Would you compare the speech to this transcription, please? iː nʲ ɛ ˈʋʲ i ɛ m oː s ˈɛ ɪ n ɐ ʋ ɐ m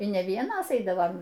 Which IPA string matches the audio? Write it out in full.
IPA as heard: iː nʲ ɛ ˈʋʲ i ɛ n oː s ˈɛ ɪ d ɐ ʋ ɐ m